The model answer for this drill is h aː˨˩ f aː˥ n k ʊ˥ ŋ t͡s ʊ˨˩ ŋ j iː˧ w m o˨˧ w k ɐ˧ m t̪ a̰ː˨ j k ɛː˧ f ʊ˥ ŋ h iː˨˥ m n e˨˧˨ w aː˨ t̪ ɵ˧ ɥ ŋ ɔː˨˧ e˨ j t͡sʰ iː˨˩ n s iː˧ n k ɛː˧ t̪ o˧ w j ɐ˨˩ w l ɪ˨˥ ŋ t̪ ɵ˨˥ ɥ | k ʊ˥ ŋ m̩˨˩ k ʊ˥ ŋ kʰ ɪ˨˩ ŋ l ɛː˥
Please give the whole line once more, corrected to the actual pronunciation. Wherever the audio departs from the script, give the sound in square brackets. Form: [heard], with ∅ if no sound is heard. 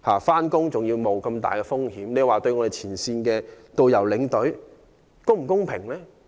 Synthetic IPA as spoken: h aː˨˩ f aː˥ n k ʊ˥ ŋ t͡s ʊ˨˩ ŋ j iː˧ w m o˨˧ w k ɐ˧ m t̪ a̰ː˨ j k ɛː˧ f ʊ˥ ŋ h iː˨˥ m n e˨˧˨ w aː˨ t̪ ɵ˧ ɥ ŋ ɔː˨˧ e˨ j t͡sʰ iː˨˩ n s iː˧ n k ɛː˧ t̪ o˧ w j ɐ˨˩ w l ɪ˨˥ ŋ t̪ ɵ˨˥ ɥ | k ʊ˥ ŋ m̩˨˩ k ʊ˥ ŋ [pʰ] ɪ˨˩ ŋ l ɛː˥